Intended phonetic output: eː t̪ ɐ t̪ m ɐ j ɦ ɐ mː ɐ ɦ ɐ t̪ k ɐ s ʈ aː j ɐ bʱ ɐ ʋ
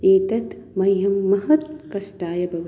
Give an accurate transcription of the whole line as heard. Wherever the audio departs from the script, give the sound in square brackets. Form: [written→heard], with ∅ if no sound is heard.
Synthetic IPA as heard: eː t̪ ɐ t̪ m ɐ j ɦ ɐ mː ɐ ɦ ɐ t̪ k ɐ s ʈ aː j ɐ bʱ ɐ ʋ